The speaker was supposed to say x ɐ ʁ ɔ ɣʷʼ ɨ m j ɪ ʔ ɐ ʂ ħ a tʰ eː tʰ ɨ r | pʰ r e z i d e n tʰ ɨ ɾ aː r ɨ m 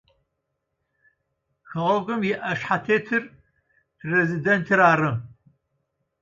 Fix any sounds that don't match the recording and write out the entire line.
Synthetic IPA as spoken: x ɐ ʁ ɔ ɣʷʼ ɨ m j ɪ ʔ ɐ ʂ ħ a tʰ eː tʰ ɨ r | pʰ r e z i d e n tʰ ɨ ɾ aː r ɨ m